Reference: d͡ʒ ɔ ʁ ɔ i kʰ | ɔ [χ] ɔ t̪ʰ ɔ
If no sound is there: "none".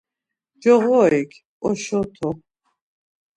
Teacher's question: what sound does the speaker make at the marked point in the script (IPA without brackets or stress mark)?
ʃ